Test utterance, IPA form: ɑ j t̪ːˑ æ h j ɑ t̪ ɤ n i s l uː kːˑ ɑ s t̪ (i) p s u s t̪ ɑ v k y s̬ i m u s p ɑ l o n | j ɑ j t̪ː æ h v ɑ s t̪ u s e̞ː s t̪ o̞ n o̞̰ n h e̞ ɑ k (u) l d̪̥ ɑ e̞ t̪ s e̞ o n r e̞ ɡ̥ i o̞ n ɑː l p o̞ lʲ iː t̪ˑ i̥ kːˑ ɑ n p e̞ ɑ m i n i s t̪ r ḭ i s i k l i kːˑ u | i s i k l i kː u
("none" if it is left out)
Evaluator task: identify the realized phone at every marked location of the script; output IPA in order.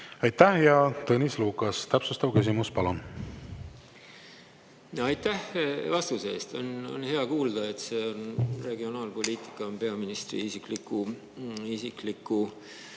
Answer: æ, uː

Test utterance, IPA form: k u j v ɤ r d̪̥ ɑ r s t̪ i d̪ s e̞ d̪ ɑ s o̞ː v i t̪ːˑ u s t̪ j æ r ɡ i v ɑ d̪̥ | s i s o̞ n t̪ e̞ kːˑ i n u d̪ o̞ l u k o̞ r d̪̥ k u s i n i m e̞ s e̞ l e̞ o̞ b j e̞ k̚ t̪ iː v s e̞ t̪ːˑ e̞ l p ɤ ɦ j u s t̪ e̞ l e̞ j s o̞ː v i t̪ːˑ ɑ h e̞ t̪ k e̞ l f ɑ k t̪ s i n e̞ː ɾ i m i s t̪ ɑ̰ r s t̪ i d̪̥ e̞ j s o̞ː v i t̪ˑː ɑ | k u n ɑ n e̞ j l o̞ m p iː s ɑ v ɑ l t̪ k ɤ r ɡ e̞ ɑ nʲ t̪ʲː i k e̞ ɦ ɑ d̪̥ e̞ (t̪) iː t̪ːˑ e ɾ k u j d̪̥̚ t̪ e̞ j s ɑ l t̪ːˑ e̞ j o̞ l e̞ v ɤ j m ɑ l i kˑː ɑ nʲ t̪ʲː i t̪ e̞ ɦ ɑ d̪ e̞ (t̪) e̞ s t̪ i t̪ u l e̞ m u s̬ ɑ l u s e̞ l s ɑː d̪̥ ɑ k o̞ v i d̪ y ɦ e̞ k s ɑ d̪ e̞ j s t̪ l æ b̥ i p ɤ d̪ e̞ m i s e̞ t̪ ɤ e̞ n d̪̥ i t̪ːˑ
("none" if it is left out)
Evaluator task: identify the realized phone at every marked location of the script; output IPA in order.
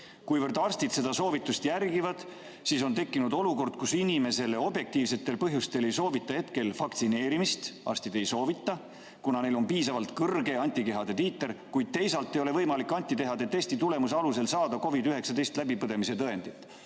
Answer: t̪, t̪

